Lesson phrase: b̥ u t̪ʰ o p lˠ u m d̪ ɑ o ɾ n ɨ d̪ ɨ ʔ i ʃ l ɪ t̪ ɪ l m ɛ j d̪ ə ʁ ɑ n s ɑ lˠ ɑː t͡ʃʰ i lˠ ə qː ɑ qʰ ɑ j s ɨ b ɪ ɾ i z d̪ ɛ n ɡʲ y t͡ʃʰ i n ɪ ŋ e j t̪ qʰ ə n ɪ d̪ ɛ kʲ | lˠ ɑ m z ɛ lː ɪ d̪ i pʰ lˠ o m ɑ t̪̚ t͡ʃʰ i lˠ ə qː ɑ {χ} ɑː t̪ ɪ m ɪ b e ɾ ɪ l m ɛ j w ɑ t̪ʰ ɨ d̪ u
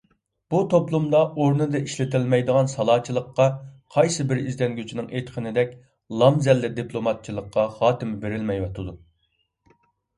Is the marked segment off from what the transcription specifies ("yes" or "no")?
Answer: no